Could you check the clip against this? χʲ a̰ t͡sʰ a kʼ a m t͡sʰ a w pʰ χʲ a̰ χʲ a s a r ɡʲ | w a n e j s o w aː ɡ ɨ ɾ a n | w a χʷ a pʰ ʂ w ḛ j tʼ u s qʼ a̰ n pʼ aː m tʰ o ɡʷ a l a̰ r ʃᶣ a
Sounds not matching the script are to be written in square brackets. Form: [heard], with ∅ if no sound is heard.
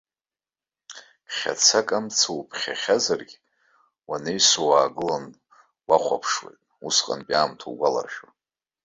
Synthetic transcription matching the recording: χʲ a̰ t͡sʰ a kʼ a m t͡sʰ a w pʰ χʲ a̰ χʲ a [z] a r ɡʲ | w a n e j s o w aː ɡ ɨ [l] a n | w a χʷ a pʰ ʂ w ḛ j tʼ u s qʼ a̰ n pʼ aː m tʰ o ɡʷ a l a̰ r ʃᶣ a